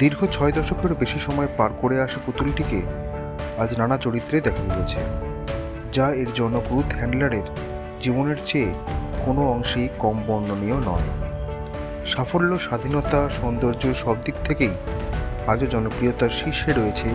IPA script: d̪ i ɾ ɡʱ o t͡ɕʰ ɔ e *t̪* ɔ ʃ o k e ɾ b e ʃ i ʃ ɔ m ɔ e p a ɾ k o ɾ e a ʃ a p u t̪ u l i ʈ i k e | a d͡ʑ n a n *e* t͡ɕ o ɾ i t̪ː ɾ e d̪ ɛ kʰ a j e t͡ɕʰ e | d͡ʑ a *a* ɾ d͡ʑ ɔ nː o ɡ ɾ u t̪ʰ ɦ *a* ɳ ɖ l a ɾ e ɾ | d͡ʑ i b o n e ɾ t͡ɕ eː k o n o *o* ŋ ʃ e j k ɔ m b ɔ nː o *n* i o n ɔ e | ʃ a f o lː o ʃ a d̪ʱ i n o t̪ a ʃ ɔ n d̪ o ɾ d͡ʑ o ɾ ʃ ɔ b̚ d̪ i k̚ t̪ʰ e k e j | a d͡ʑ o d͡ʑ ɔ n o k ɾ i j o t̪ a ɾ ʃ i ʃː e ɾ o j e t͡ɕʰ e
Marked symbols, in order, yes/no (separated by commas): no, no, no, no, no, yes